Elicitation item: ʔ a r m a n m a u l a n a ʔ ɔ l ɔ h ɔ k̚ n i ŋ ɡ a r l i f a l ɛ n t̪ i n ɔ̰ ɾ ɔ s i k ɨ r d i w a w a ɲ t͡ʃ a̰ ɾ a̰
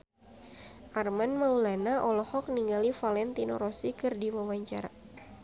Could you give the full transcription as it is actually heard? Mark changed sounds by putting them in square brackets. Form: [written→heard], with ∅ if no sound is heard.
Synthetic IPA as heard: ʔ a r m a n m a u l a n a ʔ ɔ l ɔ h ɔ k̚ n i ŋ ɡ a [r→∅] l i f a l ɛ n t̪ i n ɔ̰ ɾ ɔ s i k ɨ r d i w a w a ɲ t͡ʃ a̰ ɾ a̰